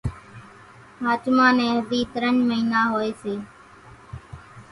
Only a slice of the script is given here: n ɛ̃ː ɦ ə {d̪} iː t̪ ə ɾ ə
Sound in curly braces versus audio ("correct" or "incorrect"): correct